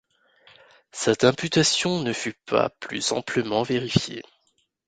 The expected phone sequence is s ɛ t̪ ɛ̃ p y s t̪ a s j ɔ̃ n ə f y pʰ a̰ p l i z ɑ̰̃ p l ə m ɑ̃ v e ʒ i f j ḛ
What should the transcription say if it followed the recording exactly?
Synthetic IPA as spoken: s ɛ t̪ ɛ̃ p y t̪ a s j ɔ̃ n ə f y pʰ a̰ p l y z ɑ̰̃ p l ə m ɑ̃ v e ʁ i f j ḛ